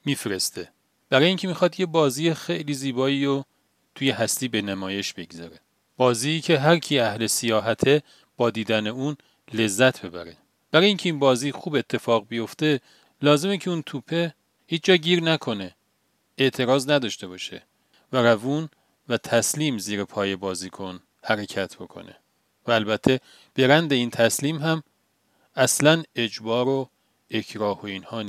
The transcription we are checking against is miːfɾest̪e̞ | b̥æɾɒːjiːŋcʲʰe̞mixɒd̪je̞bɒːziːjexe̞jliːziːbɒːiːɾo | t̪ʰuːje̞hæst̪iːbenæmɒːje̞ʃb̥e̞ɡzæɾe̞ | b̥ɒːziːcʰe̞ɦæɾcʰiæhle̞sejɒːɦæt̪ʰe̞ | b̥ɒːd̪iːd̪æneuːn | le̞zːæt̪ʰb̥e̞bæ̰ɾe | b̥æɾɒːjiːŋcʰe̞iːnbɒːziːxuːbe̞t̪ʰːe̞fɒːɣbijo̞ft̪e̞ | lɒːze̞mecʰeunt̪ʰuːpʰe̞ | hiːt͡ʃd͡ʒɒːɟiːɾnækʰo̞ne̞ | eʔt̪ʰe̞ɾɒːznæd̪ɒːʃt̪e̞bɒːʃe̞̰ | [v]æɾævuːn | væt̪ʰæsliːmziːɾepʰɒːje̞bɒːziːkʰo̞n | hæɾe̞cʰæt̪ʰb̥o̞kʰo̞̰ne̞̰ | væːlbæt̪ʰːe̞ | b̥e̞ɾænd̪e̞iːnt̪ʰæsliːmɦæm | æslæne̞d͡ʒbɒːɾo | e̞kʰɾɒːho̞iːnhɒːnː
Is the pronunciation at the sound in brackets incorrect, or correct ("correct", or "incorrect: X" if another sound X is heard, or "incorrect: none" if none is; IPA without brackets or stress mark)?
correct